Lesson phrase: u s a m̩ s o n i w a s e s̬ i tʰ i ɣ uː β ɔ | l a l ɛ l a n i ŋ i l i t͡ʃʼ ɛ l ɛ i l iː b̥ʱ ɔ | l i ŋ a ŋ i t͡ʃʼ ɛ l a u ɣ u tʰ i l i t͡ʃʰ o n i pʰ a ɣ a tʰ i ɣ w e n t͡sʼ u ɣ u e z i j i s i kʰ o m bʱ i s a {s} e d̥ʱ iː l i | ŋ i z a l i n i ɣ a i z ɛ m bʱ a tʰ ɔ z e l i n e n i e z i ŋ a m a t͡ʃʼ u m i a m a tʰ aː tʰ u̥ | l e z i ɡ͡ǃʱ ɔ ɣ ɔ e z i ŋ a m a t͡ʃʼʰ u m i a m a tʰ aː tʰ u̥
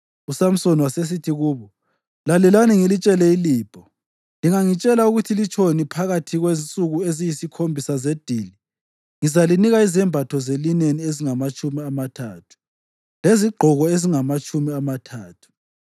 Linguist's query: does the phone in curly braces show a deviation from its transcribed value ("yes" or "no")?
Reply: yes